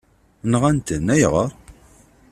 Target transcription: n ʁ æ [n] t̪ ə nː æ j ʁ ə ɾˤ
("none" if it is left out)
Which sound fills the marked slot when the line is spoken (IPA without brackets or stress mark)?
n